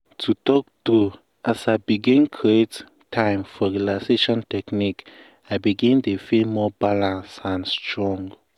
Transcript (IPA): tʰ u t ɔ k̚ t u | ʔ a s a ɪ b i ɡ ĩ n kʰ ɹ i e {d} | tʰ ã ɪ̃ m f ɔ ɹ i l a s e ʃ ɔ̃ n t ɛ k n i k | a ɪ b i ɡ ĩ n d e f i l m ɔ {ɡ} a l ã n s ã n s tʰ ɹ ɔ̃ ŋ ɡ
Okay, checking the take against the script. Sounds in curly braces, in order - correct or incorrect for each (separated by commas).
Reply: incorrect, incorrect